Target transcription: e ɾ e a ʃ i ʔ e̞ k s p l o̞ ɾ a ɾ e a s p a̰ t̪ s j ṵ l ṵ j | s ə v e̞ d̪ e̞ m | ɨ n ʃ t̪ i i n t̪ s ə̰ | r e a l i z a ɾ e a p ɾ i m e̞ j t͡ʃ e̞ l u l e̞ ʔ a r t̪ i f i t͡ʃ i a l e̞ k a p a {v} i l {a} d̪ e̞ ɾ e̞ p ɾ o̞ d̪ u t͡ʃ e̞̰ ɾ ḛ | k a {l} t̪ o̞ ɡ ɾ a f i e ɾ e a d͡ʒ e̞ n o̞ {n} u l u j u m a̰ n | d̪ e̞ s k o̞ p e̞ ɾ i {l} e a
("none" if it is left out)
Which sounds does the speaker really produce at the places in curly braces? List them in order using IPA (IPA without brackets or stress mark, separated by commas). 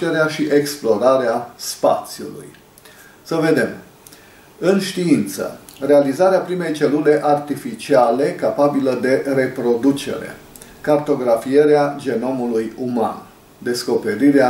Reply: b, ə, r, m, ɾ